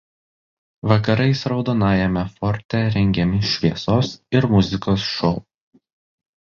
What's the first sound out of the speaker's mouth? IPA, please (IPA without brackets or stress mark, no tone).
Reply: ʋ